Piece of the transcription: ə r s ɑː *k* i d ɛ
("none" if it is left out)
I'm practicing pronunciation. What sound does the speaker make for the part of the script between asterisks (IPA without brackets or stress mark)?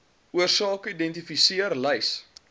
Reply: k